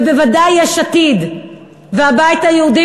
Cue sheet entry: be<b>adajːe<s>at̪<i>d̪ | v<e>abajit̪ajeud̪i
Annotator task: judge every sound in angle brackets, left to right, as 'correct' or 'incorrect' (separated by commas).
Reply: incorrect, incorrect, correct, correct